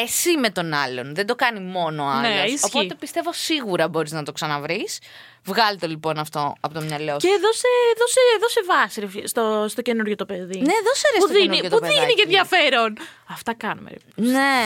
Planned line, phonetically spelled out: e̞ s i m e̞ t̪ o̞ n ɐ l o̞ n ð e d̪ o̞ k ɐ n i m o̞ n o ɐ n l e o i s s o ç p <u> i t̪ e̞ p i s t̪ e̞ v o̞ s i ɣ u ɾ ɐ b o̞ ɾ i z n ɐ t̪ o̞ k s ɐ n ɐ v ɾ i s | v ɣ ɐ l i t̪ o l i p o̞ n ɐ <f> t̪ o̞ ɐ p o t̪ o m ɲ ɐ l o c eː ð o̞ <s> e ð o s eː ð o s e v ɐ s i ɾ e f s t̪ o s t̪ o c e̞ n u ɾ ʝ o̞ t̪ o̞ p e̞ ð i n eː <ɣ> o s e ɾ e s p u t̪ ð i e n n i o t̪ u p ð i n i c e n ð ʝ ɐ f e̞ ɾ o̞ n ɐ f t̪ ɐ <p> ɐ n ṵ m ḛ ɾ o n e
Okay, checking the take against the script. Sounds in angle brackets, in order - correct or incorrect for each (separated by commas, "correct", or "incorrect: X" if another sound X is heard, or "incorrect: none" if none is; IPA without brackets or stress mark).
incorrect: o, correct, correct, incorrect: ð, incorrect: k